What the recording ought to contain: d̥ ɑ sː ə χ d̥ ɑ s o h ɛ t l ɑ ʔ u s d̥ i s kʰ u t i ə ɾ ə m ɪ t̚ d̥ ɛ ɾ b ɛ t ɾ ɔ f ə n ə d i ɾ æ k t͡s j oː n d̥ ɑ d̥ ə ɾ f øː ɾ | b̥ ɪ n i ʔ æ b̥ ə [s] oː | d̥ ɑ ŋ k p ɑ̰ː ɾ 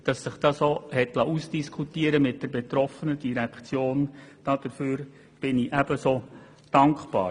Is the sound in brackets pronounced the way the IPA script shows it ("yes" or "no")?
yes